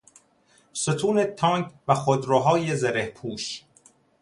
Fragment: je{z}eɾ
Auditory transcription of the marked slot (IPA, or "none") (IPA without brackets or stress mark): z